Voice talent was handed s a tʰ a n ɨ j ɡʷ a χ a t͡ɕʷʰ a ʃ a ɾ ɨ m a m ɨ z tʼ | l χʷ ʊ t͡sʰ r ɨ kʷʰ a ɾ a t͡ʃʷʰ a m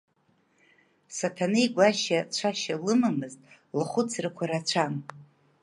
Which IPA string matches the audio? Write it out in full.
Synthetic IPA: s a tʰ a n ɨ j ɡʷ a ʃ a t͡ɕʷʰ a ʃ a l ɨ m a m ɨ z tʼ | l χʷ ʊ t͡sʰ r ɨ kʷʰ a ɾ a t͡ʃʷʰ a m